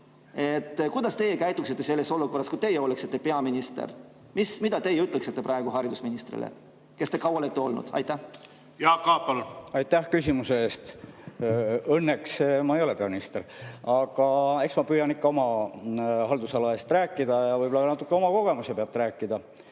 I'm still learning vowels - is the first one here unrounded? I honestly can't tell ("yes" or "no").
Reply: yes